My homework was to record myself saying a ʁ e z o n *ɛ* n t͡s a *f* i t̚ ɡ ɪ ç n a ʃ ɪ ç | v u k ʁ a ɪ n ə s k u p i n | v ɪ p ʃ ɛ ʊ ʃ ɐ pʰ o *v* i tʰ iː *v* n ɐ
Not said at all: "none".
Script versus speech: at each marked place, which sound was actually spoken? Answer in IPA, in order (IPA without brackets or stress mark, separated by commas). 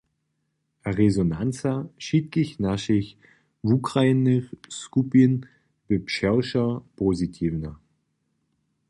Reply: a, ʃ, z, v